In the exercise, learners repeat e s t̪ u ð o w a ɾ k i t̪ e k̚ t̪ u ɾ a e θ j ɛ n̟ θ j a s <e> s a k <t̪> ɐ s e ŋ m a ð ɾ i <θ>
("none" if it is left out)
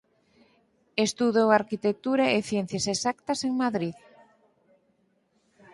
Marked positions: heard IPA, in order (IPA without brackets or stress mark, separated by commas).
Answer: e, t̪, ð